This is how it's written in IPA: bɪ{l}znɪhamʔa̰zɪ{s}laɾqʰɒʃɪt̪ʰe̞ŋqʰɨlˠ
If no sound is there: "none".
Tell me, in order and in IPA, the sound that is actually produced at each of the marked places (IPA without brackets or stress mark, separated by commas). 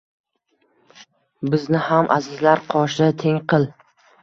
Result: none, z